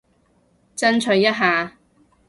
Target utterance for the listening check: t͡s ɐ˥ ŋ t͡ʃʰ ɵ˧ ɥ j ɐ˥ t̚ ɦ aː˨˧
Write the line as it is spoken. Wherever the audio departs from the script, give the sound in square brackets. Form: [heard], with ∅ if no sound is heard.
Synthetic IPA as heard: t͡s ɐ˥ [n] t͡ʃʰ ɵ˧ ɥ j ɐ˥ t̚ ɦ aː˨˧